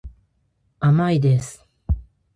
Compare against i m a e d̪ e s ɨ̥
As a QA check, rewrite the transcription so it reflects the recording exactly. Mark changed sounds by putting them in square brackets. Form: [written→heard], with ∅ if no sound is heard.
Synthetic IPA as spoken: [i→a] m a [e→i] d̪ e s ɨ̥

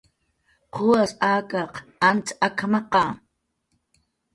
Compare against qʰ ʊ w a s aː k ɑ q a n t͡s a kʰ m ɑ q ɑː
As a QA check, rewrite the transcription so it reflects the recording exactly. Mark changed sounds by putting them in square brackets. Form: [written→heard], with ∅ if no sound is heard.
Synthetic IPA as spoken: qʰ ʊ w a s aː k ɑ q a n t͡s a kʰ m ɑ q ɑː

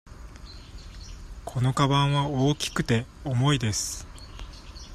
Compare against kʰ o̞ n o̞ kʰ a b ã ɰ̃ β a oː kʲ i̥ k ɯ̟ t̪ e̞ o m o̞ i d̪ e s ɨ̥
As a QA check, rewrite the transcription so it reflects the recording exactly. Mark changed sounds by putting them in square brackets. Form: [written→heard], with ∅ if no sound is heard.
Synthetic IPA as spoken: kʰ o̞ n o̞ [kʰ→k] a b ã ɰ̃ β a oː kʲ i̥ k ɯ̟ t̪ e̞ o m o̞ i d̪ e s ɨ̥

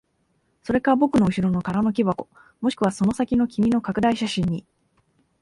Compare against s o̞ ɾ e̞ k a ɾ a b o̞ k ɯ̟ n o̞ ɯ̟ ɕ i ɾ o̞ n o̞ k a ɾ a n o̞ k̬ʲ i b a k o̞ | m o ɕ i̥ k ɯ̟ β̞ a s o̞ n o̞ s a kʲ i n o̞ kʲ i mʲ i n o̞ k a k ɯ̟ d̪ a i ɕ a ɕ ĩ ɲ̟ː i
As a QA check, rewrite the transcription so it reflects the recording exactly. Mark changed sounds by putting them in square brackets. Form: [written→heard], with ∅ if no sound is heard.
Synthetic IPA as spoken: s o̞ ɾ e̞ k a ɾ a b o̞ k ɯ̟ n o̞ ɯ̟ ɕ i ɾ o̞ n o̞ k a ɾ a n o̞ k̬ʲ i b a k o̞ | m o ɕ i̥ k ɯ̟ β̞ a s o̞ n o̞ s a kʲ i n o̞ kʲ i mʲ i n o̞ k a k ɯ̟ d̪ a i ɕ a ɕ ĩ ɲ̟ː i

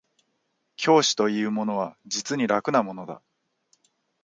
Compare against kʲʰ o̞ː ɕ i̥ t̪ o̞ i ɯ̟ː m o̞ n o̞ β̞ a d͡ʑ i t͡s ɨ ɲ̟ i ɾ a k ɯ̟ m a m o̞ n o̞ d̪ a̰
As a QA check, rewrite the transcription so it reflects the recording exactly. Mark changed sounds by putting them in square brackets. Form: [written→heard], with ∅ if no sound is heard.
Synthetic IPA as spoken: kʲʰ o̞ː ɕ i̥ t̪ o̞ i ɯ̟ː m o̞ n o̞ β̞ a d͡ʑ i t͡s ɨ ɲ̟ i ɾ a k ɯ̟ [m→n] a m o̞ n o̞ d̪ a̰

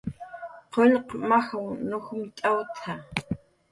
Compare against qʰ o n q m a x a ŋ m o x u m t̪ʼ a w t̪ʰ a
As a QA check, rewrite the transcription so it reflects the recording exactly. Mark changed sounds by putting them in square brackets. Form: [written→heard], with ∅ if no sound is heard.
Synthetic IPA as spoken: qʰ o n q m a x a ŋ [m→n] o x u m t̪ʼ a w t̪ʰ a

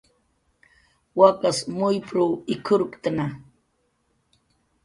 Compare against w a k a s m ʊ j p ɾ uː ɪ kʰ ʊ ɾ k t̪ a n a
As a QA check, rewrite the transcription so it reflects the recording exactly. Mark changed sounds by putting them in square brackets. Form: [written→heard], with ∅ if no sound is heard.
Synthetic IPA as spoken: w a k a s m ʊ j p ɾ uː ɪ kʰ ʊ ɾ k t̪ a n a

